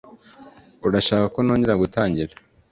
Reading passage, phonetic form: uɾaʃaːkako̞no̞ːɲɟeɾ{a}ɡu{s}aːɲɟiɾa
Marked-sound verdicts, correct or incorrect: correct, incorrect: t

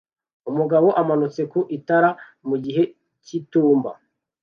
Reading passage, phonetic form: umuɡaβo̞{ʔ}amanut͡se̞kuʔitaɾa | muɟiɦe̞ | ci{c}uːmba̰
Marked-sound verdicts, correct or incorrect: correct, incorrect: t

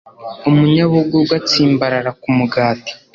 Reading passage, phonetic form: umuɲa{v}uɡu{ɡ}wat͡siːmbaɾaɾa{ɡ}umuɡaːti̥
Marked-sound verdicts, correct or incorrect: incorrect: β, correct, incorrect: k

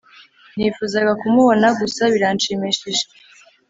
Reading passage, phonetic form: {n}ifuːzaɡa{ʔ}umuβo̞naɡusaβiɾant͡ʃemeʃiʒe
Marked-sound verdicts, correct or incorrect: correct, incorrect: k

